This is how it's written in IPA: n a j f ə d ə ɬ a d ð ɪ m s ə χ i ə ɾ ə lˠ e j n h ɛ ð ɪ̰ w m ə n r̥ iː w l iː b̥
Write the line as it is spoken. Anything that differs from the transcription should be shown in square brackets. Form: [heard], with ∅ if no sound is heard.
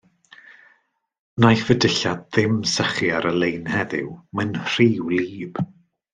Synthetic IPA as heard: n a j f ə d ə ɬ a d ð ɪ m s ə χ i [a] ɾ ə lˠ e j n h ɛ ð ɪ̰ w m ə n r̥ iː w l iː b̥

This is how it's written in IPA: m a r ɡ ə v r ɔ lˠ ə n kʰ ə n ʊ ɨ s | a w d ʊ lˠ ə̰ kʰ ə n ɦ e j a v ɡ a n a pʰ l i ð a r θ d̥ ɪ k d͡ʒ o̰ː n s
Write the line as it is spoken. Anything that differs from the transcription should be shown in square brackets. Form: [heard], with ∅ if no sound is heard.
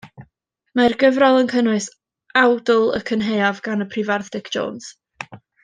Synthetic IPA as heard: m a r ɡ ə v r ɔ lˠ ə n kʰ ə n ʊ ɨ s | a w d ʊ lˠ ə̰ kʰ ə n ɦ e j a v ɡ a n [ə] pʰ [r] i [v] a r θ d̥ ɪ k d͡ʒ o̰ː n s

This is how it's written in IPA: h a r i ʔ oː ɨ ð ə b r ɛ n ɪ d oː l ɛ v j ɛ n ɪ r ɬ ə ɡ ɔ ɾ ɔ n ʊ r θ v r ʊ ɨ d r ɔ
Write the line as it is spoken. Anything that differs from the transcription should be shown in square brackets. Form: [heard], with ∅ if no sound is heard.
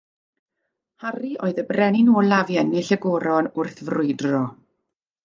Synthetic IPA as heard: h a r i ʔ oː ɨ ð ə b r ɛ n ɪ [n] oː l [a] v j ɛ n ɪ [∅] ɬ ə ɡ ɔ ɾ ɔ n ʊ r θ v r ʊ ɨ d r ɔ

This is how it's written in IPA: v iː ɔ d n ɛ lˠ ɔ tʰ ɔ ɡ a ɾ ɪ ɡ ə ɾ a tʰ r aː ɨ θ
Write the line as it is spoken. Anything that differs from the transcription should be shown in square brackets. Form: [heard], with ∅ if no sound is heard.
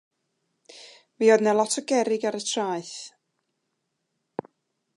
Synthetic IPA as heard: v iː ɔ d n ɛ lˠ ɔ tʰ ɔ ɡ [ɛ] ɾ ɪ ɡ [a] ɾ [ə] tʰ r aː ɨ θ

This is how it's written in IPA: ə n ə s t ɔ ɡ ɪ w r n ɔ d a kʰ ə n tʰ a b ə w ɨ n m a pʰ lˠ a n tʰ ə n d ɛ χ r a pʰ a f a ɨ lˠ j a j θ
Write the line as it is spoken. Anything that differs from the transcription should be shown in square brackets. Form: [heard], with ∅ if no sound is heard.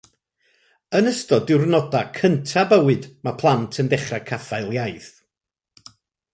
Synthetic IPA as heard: ə n ə s t ɔ [d] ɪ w r n ɔ d a kʰ ə n tʰ a b ə w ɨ [d] m a pʰ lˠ a n tʰ ə n d ɛ χ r a [kʰ] a f a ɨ lˠ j a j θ

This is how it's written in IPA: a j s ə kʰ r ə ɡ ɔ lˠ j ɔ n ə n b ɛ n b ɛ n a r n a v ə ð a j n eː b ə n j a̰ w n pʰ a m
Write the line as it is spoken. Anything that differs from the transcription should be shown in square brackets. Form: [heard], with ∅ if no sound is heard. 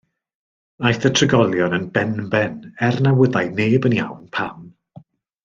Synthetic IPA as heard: a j [θ] ə [tʰ] r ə ɡ ɔ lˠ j ɔ n ə n b ɛ n b ɛ n [ɛ] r n a [w] ə ð a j n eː b ə n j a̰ w n pʰ a m

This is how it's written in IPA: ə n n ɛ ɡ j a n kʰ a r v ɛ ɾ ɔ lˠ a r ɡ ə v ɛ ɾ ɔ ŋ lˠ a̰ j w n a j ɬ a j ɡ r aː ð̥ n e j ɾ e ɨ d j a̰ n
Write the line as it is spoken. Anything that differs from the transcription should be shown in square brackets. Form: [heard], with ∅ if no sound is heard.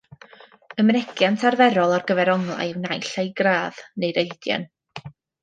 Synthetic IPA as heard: ə [m] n ɛ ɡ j a n [tʰ] a r v ɛ ɾ ɔ lˠ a r ɡ ə v ɛ ɾ ɔ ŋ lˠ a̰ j w n a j ɬ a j ɡ r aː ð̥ n e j ɾ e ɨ d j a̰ n

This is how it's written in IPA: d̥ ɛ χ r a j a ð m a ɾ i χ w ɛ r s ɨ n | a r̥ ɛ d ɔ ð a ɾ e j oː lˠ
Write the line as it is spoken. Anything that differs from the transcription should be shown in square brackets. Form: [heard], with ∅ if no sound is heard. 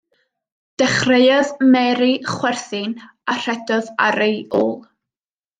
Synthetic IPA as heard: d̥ ɛ χ r [e] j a ð m [ɛ] ɾ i χ w ɛ r [θ] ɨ n | a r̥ ɛ d ɔ ð a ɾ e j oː lˠ

